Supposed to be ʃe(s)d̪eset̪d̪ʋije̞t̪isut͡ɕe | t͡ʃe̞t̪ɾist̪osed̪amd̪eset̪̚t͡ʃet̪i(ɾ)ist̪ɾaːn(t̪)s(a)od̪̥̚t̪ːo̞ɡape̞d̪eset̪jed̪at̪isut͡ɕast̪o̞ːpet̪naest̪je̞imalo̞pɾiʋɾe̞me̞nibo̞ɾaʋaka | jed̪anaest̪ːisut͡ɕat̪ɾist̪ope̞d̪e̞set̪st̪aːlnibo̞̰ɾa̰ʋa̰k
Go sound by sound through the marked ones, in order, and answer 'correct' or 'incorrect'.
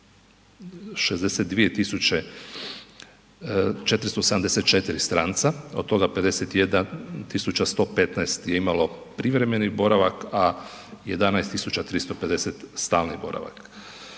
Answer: incorrect: z, correct, correct, correct

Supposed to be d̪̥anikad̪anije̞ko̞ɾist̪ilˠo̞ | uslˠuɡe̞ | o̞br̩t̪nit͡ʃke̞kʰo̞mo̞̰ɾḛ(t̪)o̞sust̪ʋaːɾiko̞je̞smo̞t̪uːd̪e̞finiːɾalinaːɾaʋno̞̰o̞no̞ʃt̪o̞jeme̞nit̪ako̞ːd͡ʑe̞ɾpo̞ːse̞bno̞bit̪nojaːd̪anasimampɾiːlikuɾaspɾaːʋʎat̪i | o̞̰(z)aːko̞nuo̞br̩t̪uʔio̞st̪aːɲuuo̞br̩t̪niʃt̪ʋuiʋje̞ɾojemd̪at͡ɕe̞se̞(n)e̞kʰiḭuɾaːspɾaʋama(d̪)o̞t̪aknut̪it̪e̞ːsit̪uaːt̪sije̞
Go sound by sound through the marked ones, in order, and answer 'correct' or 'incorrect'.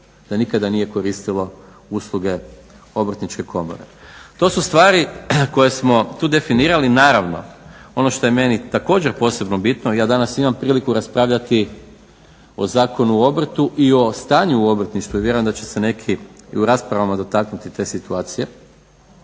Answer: correct, correct, correct, correct

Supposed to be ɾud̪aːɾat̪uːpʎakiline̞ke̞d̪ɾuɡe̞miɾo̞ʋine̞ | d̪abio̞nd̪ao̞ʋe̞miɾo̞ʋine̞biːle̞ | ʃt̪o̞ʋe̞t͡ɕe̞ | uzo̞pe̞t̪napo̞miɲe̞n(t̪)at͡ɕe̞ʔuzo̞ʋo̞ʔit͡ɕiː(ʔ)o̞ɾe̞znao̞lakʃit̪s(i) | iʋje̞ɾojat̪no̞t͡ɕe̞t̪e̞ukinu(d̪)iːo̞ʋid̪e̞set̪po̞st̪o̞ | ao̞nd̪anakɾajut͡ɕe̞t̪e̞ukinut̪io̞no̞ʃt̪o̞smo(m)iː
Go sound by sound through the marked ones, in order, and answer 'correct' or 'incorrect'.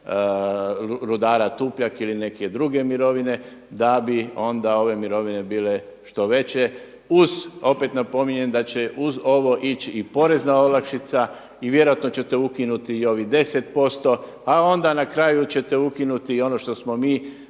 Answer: incorrect: d̪, incorrect: p, incorrect: a, incorrect: t̪, correct

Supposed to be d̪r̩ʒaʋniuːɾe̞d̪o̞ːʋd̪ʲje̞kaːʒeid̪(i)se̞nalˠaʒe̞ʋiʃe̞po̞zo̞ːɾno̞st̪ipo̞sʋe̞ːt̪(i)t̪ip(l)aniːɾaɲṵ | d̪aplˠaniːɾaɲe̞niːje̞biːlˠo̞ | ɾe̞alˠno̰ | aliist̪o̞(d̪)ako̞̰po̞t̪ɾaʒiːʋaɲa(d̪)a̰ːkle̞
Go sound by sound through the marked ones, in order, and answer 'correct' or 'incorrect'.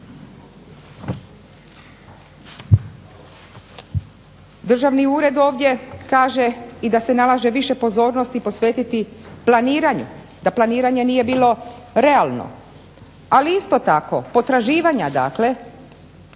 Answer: incorrect: a, correct, correct, incorrect: t̪, correct

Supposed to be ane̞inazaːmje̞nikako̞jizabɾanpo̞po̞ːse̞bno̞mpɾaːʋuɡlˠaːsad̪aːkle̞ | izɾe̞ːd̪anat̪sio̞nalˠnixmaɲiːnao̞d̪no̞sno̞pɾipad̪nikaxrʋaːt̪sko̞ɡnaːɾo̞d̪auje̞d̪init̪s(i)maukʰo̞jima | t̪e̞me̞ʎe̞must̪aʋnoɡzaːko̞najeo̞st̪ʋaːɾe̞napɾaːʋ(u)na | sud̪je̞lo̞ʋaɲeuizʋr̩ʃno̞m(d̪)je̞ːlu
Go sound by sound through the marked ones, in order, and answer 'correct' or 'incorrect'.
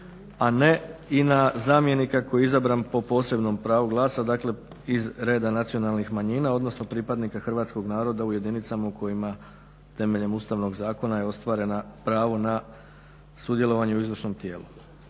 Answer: incorrect: a, incorrect: o, incorrect: t̪

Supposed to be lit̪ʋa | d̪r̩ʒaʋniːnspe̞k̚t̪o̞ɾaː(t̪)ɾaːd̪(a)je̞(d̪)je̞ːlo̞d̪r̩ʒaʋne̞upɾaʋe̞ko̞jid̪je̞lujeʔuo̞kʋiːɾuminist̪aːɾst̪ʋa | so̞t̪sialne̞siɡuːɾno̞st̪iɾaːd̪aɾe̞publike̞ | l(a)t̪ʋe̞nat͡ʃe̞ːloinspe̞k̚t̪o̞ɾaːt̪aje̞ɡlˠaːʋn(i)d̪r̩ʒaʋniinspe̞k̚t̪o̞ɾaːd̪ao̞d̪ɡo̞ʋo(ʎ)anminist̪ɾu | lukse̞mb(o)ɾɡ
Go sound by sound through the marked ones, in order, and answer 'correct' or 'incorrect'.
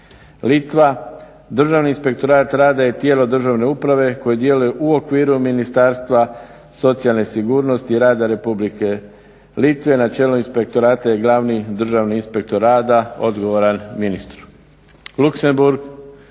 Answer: correct, correct, incorrect: t̪, incorrect: i, correct, incorrect: ɾ, incorrect: u

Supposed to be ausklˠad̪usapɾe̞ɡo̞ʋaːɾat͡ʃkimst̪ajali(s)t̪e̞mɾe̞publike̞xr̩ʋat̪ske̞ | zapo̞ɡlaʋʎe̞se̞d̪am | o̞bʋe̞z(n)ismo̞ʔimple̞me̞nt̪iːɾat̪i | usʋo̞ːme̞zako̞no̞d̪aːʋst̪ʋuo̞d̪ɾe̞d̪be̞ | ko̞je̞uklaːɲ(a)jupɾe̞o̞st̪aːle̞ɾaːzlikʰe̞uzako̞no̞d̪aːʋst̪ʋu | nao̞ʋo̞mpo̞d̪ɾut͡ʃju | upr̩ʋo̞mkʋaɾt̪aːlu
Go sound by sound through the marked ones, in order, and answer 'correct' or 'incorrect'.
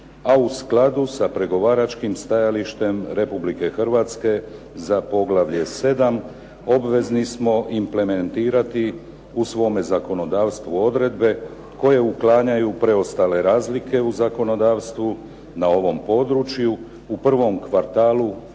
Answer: incorrect: ʃ, correct, correct

